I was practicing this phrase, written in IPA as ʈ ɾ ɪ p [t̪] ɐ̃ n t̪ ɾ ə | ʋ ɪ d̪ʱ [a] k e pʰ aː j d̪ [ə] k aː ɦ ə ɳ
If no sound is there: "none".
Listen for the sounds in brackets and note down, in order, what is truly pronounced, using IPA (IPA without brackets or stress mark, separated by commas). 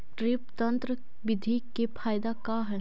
t̪, i, a